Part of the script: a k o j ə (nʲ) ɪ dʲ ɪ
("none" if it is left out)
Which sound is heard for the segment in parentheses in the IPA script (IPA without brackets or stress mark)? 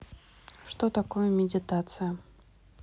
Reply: mʲ